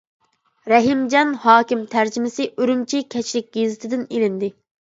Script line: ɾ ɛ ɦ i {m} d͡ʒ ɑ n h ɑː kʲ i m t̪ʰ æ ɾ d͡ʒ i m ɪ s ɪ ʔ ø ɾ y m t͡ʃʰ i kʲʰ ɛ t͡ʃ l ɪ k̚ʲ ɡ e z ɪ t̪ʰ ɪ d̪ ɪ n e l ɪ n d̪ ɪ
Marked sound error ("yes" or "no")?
no